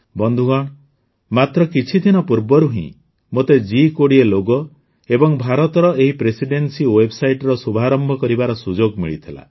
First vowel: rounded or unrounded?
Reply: rounded